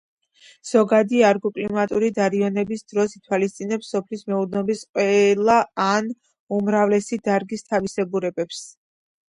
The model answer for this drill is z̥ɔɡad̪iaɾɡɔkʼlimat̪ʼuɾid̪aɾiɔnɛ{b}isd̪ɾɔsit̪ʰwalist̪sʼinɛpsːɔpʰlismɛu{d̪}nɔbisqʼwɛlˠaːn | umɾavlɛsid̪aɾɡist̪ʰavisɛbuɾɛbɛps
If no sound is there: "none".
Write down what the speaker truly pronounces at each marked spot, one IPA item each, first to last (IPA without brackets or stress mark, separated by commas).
b, d̪